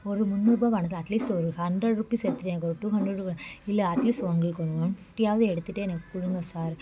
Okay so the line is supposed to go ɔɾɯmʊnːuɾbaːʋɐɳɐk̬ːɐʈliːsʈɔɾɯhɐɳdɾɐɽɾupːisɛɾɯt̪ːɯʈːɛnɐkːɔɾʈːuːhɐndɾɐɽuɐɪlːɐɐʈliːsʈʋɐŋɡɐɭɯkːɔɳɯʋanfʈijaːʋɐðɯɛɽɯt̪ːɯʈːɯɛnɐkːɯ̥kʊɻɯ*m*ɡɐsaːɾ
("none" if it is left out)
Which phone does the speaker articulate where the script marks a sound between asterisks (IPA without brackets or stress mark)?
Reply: ŋ